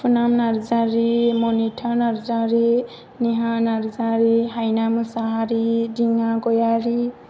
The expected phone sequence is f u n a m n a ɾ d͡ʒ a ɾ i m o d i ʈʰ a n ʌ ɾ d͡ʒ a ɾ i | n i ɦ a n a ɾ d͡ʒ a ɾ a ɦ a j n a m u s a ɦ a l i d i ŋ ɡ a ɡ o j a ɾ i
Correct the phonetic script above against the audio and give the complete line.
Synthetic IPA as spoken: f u n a m n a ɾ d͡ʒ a ɾ i m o n i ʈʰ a n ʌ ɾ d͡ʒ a ɾ i | n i ɦ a n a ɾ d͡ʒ a ɾ i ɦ a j n a m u s a ɦ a ɾ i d i ŋ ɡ a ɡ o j a ɾ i